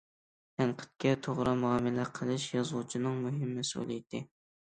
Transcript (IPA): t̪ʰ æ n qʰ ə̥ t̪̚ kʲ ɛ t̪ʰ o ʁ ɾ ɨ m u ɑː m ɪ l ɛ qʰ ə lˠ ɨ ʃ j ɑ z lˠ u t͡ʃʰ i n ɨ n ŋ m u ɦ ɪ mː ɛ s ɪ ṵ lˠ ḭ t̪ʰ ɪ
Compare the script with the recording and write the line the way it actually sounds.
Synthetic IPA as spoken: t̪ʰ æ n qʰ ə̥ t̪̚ kʲ ɛ t̪ʰ o ʁ ɾ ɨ m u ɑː m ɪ l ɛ qʰ ə lˠ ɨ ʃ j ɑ z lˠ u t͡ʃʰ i n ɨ ŋ m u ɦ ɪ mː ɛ s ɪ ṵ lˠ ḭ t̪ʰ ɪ